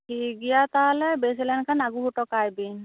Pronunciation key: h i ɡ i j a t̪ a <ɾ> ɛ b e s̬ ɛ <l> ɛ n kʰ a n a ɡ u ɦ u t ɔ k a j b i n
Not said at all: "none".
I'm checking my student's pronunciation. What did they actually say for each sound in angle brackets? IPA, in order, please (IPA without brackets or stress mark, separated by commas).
l, l